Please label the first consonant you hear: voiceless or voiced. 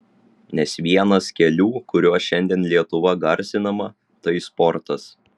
voiced